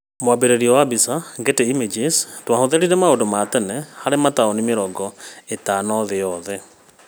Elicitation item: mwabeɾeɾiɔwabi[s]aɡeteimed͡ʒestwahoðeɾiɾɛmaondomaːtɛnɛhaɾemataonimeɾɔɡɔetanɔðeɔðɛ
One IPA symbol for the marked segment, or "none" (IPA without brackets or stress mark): s